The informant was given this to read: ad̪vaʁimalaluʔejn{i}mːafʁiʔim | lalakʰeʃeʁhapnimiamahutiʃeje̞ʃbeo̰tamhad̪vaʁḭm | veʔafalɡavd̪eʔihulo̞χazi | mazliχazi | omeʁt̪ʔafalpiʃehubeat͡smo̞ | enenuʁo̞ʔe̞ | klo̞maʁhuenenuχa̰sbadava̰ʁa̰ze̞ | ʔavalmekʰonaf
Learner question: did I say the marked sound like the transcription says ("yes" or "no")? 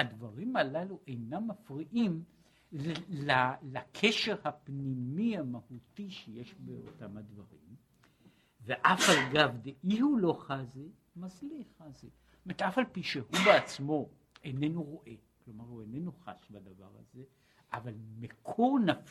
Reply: no